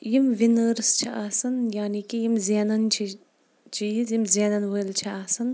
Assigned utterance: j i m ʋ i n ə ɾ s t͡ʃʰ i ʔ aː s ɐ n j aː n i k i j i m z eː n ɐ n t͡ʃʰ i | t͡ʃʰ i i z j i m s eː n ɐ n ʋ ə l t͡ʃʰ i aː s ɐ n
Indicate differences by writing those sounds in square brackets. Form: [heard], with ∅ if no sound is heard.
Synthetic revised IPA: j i m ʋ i n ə ɾ s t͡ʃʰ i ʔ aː s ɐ n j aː n i k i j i m z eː n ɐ n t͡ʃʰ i | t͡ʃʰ i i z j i m [z] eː n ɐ n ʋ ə l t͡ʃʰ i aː s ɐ n